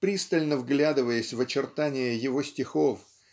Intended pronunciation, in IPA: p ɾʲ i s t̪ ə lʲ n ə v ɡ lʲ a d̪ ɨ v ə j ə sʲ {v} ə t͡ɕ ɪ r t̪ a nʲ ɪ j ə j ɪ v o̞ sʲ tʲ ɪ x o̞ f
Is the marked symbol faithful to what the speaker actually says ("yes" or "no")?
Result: yes